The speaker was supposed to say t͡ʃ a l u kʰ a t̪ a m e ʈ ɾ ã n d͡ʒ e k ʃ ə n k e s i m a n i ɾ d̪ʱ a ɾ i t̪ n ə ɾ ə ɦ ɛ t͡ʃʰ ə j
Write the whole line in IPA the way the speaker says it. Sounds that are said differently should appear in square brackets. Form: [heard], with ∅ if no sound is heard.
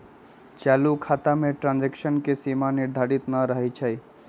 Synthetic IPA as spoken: t͡ʃ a l u kʰ a t̪ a m e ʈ ɾ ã n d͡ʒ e k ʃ ə n k e s i m a n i ɾ d̪ʱ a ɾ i t̪ n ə ɾ ə ɦ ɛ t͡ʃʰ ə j